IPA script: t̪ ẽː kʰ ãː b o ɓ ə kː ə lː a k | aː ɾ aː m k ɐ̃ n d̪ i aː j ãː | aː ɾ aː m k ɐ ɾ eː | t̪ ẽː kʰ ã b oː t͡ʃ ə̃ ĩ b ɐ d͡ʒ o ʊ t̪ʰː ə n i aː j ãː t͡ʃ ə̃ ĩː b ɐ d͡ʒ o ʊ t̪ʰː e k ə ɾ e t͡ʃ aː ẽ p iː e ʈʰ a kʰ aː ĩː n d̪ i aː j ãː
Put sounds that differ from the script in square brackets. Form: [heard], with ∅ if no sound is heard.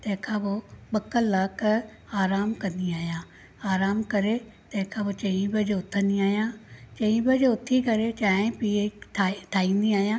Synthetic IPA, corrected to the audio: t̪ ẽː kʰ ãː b o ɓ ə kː ə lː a k | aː ɾ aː m k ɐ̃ n d̪ i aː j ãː | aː ɾ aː m k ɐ ɾ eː | t̪ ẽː kʰ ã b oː t͡ʃ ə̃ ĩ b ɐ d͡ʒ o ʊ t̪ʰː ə n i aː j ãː t͡ʃ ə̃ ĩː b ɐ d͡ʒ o ʊ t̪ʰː [i] k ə ɾ e t͡ʃ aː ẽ p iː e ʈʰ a [ʈʰ] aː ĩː n d̪ i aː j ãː